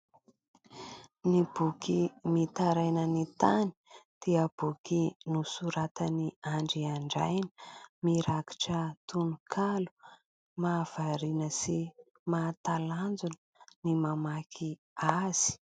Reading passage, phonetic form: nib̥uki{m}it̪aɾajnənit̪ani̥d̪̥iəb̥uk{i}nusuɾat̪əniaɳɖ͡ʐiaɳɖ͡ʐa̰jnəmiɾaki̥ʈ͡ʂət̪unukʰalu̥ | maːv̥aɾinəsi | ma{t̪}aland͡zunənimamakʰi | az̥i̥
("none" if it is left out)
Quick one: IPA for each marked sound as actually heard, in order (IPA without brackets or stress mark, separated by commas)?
m, i, t̪